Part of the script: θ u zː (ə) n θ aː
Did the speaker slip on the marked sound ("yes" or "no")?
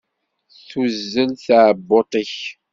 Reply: no